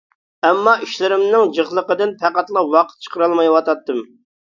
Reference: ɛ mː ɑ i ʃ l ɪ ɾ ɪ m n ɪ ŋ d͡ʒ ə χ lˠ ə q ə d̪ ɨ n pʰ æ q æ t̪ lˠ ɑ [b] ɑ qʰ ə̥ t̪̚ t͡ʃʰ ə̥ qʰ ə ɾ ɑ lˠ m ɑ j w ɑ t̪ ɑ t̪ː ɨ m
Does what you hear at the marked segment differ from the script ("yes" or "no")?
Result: yes